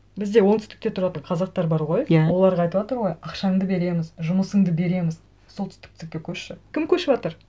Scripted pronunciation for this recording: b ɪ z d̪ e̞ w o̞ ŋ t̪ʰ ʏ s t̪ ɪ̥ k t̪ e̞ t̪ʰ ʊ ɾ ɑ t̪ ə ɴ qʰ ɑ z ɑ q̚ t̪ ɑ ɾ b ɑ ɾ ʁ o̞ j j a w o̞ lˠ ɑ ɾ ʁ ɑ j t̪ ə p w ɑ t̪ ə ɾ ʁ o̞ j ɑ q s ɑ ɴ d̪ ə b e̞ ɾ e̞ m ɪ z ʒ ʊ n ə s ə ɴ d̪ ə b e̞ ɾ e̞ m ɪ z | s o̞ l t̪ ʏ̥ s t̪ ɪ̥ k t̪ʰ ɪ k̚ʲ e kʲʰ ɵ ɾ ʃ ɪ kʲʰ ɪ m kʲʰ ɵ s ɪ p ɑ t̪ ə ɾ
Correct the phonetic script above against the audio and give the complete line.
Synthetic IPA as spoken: b ɪ z d̪ e̞ w o̞ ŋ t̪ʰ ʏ s t̪ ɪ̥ k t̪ e̞ t̪ʰ ʊ ɾ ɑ t̪ ə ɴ qʰ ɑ z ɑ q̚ t̪ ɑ ɾ b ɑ ɾ ʁ o̞ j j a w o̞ lˠ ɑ ɾ ʁ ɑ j t̪ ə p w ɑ t̪ ə ɾ ʁ o̞ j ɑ q ʃ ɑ ɴ d̪ ə b e̞ ɾ e̞ m ɪ z ʒ ʊ m ə s ə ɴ d̪ ə b e̞ ɾ e̞ m ɪ z | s o̞ l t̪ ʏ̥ s t̪ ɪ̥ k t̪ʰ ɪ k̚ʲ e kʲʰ ɵ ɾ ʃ ɪ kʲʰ ɪ m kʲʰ ɵ ʃ ɪ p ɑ t̪ ə ɾ